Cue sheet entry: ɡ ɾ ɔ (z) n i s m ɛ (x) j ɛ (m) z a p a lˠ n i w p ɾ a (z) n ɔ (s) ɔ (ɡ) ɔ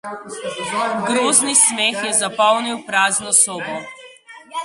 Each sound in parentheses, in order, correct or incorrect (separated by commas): correct, correct, incorrect, correct, correct, incorrect